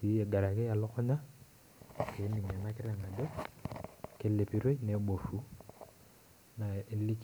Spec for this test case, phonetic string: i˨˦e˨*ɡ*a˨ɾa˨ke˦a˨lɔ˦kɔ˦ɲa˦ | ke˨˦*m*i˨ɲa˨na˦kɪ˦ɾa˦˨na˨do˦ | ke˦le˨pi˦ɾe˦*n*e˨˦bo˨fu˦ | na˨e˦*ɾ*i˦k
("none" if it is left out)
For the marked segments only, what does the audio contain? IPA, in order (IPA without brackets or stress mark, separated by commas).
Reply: ɡ, n, n, l